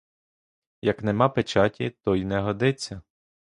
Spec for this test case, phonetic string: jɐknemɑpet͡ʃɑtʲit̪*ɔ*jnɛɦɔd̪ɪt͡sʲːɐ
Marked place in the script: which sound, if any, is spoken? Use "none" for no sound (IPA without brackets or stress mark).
ɔ